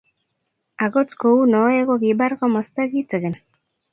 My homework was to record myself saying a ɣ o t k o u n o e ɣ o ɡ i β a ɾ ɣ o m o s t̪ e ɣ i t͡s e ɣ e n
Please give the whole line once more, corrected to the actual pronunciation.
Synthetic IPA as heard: a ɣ o t͡s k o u n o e ɣ o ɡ i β a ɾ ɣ o m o s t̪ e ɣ i t͡s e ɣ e n